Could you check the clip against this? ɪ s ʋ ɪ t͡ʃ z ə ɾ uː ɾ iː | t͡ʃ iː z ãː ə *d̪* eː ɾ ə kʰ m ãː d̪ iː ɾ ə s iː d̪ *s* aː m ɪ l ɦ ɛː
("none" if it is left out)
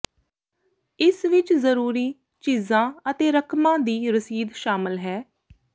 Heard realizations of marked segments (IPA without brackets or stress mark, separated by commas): t̪, ʃ